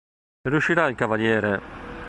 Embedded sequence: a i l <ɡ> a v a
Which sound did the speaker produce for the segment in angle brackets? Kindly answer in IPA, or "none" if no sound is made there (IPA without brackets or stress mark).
k